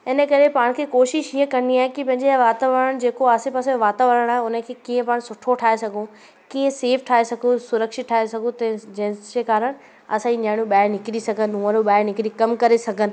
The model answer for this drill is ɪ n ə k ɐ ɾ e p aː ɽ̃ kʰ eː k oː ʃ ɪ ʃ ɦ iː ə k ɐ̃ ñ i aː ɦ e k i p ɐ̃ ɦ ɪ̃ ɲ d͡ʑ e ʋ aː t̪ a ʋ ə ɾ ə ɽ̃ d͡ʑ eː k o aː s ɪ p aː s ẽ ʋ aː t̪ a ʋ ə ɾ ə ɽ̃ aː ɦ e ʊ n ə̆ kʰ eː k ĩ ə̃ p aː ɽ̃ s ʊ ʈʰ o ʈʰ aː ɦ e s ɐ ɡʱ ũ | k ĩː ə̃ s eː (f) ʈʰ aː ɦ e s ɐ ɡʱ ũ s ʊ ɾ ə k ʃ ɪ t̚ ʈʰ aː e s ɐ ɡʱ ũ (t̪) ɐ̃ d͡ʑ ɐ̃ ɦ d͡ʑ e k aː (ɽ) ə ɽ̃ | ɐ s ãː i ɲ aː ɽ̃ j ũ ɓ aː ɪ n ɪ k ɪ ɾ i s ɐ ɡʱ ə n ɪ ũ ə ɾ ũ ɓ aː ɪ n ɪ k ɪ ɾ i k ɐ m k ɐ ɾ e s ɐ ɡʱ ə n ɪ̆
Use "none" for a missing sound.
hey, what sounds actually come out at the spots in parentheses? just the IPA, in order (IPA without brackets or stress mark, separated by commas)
f, t̪, ɾ